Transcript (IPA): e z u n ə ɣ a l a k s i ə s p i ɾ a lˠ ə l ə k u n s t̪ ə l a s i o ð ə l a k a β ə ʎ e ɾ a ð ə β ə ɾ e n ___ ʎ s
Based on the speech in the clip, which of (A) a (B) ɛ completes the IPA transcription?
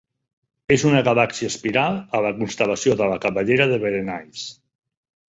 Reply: A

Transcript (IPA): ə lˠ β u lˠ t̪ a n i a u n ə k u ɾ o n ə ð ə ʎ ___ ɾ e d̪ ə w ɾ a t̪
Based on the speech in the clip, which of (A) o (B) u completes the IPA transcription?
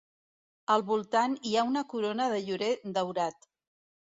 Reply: B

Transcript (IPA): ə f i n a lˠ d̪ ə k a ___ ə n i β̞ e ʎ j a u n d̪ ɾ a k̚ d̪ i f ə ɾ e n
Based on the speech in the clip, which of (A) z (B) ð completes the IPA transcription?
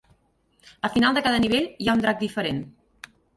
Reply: B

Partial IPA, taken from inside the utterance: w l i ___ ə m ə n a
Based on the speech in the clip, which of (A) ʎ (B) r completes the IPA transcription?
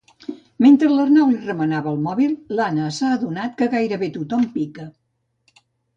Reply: B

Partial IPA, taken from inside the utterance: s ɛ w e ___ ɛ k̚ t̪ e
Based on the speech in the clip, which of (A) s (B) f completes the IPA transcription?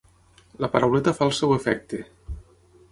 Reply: B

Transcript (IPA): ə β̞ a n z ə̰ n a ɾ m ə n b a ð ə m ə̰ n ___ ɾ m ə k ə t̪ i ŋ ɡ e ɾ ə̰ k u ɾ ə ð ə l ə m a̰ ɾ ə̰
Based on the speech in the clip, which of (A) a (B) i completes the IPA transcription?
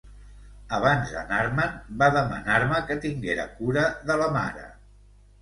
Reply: A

